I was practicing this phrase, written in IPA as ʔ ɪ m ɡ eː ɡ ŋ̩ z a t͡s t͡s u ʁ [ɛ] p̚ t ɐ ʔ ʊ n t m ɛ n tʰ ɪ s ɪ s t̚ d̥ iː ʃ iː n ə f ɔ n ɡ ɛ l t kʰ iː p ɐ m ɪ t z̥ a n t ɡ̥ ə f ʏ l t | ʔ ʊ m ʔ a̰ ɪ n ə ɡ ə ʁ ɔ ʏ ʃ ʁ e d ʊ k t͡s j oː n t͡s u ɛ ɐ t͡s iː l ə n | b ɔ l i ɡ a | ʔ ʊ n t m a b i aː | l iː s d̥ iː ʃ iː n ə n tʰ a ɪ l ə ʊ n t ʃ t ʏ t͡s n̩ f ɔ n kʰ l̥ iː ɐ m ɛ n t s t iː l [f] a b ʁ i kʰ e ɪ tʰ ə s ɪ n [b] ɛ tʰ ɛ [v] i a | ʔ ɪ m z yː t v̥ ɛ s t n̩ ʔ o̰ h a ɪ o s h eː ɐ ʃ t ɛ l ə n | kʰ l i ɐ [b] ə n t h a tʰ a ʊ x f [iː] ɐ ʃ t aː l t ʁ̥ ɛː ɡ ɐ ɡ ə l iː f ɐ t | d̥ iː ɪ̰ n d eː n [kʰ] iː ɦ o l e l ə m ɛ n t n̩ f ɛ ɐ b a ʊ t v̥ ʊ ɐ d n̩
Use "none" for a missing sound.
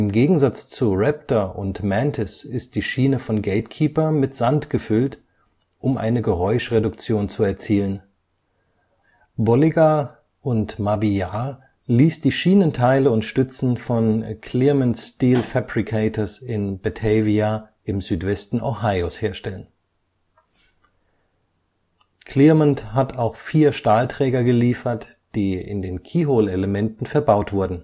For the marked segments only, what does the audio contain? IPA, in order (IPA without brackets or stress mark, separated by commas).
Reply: ɛ, f, b, v, m, iː, kʰ